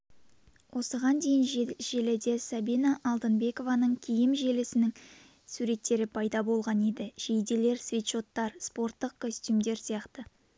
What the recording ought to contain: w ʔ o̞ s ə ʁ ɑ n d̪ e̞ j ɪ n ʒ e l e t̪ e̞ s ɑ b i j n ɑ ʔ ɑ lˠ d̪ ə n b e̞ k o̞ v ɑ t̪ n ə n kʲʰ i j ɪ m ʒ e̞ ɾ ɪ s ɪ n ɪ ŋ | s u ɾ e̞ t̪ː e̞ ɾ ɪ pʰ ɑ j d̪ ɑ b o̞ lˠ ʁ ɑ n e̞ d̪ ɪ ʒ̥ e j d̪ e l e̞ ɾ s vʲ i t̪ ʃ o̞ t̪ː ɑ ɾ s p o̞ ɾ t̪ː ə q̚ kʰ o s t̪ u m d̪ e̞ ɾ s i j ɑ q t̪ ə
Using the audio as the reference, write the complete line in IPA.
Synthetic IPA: w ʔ o̞ s ə ʁ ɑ n d̪ e̞ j ɪ n ʒ e l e d̪ e̞ s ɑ b i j n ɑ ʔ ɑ lˠ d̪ ə n b e̞ k o̞ v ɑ n ə ɴ kʲʰ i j ɪ m ʒ e̞ l ɪ s ɪ n ɪ ŋ | s u ɾ e̞ t̪ː e̞ ɾ ɪ pʰ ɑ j d̪ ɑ b o̞ lˠ ʁ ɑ n e̞ d̪ ɪ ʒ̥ e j d̪ e l e̞ ɾ s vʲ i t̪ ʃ o̞ t̪ː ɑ ɾ s p o̞ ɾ t̪ː ə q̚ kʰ o s t̪ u m d̪ e̞ ɾ s i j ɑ q t̪ ə